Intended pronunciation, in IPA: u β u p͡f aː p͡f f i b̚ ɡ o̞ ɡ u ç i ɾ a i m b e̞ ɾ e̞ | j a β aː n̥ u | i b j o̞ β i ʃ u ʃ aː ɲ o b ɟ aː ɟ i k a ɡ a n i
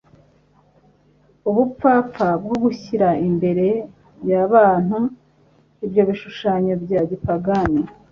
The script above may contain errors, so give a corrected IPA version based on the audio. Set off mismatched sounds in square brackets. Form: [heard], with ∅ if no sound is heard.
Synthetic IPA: u β u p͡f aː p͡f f [a] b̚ ɡ o̞ ɡ u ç i ɾ a i m b e̞ ɾ e̞ | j a β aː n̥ u | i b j o̞ β i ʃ u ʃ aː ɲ o b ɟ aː ɟ i [p] a ɡ a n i